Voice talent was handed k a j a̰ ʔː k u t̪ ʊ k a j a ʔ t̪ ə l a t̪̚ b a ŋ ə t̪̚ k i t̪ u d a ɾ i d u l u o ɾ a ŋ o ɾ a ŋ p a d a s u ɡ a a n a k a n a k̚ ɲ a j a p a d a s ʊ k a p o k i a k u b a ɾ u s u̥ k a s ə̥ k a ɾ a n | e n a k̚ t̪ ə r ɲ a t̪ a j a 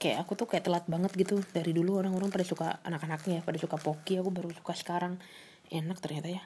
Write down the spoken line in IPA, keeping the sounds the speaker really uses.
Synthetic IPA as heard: k a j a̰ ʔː k u t̪ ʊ k a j a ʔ t̪ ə l a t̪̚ b a ŋ ə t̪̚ ɡ i t̪ u d a ɾ i d u l u o ɾ a ŋ o ɾ a ŋ p a d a s u k a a n a k a n a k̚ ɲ a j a p a d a s u k a p o k i a k u b a ɾ u s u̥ k a s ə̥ k a ɾ a ŋ | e n a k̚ t̪ ə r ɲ a t̪ a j a